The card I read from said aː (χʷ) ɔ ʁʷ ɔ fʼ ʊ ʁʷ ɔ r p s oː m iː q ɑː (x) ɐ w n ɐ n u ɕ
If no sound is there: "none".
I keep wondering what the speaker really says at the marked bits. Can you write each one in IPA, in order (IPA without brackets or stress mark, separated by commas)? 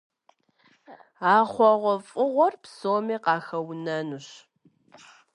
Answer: χʷ, x